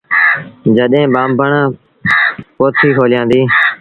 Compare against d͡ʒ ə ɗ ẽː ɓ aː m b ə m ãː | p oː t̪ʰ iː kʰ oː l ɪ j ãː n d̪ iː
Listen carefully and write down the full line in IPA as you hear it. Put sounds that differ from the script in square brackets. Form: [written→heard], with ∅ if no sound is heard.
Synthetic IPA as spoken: d͡ʒ ə ɗ ẽː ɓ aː m b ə [m→ɳ] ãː | p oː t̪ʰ iː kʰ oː l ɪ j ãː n d̪ iː